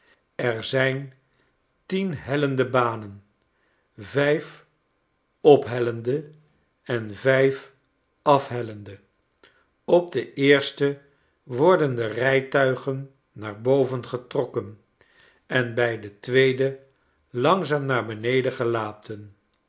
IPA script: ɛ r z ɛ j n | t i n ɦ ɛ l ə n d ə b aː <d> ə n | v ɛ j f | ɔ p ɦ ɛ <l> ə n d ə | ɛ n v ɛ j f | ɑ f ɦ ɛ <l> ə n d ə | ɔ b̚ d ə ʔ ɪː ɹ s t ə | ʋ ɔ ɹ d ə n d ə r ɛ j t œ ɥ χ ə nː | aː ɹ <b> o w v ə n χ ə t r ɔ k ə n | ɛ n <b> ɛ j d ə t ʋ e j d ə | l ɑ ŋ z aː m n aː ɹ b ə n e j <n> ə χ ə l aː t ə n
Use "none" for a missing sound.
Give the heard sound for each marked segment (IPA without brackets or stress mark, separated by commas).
n, l, l, b, b, d